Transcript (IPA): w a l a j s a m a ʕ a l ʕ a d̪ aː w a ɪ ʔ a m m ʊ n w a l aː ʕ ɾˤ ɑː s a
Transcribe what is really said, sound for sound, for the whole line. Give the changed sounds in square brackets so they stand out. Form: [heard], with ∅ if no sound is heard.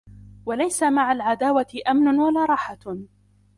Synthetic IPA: w a l a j s a m a ʕ a l ʕ a d̪ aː w a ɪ ʔ a m [n] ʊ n w a l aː [∅] ɾˤ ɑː [ħ] a